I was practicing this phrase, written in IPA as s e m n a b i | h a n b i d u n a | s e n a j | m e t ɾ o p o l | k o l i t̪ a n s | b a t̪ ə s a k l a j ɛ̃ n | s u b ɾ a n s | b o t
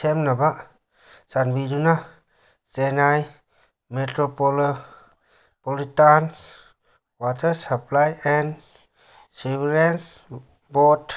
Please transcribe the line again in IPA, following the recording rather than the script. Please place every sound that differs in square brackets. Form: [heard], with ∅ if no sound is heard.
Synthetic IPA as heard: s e m n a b [a] | [s] a n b i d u n a | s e n a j | m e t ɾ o p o l | [p] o l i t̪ a n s | [w] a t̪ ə s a [p] l a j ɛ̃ n | s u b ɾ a n s | b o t